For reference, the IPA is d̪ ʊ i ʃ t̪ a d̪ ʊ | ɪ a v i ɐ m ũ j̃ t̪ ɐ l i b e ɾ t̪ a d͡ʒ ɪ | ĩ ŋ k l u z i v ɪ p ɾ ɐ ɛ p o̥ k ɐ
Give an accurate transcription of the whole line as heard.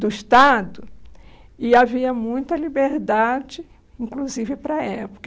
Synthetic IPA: d̪ ʊ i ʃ t̪ a d̪ ʊ | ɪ a v i ɐ m ũ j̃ t̪ ɐ l i b e ɾ d̪ a d͡ʒ ɪ | ĩ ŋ k l u z i v ɪ p ɾ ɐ ɛ p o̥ k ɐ